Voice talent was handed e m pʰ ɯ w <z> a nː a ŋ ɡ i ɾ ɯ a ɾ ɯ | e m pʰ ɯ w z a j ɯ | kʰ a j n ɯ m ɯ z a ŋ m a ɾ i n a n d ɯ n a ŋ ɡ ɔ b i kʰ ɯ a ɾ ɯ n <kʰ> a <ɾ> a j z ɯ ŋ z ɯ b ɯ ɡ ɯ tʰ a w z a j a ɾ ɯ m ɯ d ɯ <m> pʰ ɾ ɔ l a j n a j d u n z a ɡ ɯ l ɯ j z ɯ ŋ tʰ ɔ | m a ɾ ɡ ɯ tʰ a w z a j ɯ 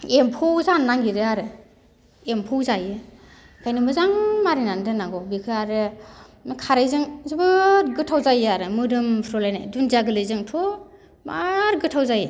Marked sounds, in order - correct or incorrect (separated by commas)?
correct, correct, correct, correct